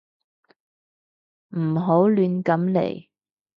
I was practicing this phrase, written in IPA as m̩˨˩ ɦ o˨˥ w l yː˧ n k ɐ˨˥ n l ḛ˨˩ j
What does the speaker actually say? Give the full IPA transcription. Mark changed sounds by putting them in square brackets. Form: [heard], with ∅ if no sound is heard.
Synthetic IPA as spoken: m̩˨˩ ɦ o˨˥ w l yː˧ n k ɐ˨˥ [m] l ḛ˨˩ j